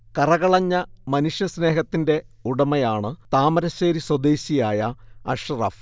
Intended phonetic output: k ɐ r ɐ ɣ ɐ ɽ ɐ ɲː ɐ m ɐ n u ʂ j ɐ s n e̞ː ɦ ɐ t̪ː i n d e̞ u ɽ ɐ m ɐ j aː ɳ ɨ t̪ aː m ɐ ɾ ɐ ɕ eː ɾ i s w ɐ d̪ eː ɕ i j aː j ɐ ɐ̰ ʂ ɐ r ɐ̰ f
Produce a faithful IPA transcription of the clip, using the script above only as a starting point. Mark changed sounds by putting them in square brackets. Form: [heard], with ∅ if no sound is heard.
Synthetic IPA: k ɐ r ɐ ɣ ɐ [ɭ] ɐ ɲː ɐ m ɐ n u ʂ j ɐ s n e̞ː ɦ ɐ t̪ː i n d e̞ u ɽ ɐ m ɐ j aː ɳ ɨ t̪ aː m ɐ ɾ ɐ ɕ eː ɾ i s w ɐ d̪ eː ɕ i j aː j ɐ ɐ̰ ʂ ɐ r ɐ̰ f